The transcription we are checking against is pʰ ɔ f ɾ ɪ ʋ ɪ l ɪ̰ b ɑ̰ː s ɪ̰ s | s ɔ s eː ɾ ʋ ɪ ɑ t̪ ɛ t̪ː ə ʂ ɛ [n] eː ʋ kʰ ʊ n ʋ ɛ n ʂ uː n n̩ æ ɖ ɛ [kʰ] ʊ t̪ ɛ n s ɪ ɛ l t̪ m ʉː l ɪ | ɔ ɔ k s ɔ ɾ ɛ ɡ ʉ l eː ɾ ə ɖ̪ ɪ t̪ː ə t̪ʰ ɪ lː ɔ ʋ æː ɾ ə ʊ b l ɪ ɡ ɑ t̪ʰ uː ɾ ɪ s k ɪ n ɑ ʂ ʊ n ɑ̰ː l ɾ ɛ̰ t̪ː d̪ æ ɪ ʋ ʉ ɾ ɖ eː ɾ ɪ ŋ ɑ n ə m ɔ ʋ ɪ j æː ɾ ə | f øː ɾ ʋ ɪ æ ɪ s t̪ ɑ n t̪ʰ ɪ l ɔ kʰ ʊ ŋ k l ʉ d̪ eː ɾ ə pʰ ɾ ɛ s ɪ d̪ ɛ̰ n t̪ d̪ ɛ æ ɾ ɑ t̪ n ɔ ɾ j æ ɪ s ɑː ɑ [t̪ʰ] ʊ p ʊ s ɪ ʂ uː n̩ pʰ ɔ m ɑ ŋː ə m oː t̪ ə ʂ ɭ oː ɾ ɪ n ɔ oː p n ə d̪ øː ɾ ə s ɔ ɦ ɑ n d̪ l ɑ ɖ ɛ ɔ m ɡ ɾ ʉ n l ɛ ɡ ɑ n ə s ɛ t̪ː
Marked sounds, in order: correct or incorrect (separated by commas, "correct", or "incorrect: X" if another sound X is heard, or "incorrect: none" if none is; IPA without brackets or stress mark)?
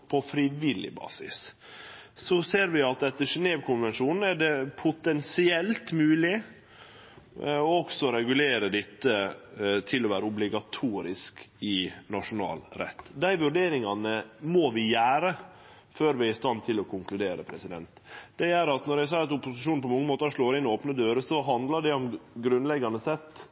correct, incorrect: pʰ, incorrect: t̪